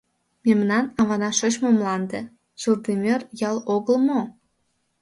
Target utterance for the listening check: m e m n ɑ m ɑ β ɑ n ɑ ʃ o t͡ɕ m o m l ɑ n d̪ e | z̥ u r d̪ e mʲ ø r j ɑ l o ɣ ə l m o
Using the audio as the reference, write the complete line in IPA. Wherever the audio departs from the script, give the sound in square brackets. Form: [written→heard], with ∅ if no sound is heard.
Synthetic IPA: m e m n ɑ [m→n] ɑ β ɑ n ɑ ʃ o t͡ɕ m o m l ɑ n d̪ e | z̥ u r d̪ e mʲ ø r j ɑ l o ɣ ə l m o